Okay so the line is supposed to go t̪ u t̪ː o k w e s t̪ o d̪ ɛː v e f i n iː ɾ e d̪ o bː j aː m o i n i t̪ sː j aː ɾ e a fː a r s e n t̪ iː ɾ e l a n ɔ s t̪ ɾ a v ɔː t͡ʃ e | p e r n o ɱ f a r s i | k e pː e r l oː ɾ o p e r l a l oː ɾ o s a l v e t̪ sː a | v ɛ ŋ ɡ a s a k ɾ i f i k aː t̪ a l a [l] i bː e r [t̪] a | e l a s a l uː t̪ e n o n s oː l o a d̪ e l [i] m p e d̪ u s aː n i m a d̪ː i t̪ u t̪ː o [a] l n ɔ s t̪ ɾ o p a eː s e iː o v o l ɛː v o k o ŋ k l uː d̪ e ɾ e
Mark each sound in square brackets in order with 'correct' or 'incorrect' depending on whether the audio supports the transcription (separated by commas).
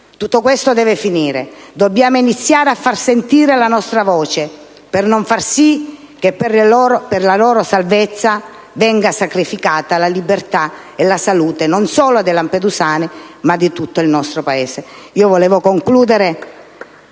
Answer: correct, correct, incorrect, incorrect